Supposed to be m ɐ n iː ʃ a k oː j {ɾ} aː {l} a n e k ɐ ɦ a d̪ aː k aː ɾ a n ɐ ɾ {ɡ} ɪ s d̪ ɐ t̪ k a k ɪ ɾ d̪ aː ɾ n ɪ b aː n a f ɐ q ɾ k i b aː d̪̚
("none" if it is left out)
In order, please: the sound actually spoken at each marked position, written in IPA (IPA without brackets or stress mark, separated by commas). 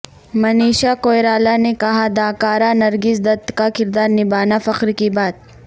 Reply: ɾ, l, ɡ